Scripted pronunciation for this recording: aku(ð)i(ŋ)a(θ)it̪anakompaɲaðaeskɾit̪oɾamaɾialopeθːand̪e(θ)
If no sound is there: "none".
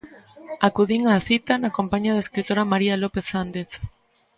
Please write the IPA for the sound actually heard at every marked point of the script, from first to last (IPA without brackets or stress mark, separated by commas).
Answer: ð, ŋ, θ, θ